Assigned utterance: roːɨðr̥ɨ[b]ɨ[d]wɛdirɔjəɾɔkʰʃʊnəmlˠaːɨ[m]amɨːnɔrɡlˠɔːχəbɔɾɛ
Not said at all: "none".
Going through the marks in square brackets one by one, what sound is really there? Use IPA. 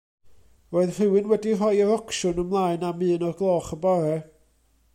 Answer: w, n, n

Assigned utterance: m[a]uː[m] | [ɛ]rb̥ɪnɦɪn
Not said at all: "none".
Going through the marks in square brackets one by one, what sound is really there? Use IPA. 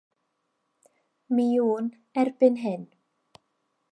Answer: i, n, ɛ

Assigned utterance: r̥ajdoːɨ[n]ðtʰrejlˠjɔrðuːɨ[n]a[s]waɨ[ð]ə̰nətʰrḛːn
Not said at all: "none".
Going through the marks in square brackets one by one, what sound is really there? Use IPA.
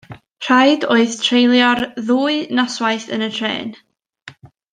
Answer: none, n, s, θ

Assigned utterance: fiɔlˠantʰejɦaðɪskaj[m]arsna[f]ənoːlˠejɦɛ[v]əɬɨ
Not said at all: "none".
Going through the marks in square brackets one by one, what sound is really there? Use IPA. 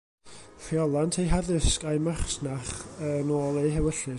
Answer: m, χ, w

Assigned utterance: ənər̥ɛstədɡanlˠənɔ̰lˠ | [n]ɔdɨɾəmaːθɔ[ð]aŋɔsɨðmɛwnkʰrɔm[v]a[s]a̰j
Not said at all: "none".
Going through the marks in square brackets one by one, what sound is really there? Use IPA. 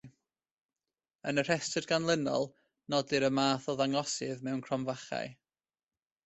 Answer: n, ð, v, χ

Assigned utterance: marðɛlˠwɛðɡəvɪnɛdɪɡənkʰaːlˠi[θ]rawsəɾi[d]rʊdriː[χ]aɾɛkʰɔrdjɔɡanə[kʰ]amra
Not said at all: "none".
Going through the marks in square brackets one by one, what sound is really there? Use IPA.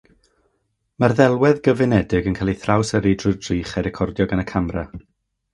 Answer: θ, d, χ, kʰ

